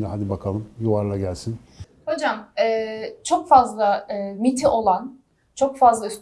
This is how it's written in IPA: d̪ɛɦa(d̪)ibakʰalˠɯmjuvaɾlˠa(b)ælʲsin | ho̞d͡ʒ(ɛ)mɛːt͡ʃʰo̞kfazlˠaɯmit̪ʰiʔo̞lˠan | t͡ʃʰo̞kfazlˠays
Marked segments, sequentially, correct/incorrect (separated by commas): correct, incorrect, incorrect